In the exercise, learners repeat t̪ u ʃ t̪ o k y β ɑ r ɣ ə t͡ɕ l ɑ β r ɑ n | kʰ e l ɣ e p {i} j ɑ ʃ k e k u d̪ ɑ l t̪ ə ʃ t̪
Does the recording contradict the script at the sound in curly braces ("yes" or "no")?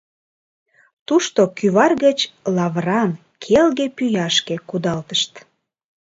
yes